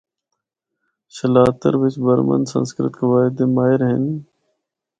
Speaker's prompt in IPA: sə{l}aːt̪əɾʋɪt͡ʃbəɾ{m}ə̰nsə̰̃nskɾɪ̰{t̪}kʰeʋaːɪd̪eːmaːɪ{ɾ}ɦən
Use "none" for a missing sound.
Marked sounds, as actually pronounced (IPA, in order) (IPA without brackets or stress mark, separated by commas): l, m, t̪, ɾ